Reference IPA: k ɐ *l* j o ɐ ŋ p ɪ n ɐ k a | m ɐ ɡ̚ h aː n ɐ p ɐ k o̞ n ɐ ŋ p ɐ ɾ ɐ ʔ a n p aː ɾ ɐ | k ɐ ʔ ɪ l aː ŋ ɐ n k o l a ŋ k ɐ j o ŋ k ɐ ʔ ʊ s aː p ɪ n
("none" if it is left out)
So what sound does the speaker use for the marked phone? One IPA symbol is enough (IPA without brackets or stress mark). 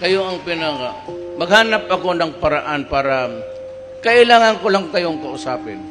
none